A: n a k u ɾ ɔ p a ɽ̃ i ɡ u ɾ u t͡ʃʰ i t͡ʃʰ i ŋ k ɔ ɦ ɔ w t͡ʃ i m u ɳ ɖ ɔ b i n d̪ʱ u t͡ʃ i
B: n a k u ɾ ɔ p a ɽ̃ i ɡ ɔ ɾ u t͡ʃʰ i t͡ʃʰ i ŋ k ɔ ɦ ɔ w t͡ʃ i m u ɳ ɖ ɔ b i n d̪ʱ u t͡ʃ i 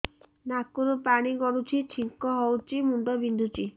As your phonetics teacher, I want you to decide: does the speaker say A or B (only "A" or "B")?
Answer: B